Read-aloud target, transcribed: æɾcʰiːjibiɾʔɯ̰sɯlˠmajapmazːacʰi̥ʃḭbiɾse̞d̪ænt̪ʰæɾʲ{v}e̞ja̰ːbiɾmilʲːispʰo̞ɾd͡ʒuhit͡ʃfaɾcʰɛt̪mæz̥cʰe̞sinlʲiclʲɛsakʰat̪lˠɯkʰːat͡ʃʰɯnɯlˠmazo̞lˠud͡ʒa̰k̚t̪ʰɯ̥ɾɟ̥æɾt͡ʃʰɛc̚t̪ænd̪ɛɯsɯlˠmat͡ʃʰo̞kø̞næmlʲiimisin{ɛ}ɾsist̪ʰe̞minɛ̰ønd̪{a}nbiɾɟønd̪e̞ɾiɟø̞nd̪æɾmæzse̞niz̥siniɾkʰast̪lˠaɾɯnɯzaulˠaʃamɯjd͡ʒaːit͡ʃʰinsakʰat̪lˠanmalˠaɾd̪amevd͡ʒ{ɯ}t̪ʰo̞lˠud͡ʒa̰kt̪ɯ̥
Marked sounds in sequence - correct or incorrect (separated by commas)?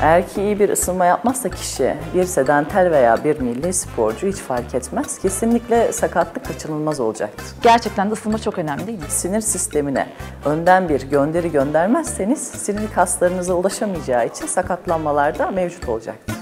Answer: correct, incorrect, incorrect, incorrect